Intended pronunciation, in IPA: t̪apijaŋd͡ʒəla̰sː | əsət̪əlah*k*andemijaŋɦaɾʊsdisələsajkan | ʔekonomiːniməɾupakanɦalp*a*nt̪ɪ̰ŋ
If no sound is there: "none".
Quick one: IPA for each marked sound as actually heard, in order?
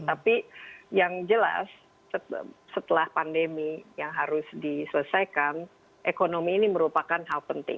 p, ə

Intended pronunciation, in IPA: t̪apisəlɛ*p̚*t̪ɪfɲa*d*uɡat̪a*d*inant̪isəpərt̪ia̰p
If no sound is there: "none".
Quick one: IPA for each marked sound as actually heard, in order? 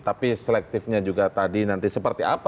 k̚, d͡ʒ, d

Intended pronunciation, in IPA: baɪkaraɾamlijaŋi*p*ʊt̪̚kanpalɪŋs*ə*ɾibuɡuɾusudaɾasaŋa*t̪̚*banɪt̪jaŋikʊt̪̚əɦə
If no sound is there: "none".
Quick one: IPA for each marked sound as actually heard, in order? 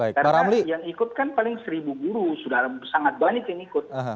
k, ə, t̪̚

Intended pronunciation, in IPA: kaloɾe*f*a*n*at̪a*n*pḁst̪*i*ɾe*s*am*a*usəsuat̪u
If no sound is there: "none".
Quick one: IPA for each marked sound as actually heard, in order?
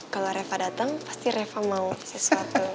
f, d, ŋ, i, f, a

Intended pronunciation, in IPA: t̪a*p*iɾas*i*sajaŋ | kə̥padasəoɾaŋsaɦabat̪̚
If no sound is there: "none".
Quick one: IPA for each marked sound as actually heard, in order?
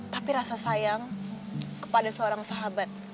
p, a

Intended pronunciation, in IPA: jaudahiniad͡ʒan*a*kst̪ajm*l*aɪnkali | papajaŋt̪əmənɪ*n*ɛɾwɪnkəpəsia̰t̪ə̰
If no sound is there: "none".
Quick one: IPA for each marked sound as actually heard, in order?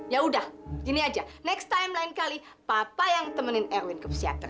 ɛ, l, n

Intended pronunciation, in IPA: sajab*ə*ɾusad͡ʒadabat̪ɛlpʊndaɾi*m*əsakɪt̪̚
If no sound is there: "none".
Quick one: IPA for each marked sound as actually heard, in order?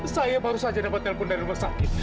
a, m

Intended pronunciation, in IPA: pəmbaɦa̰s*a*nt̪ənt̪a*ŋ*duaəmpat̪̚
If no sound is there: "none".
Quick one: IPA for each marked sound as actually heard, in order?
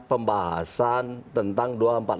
a, ŋ

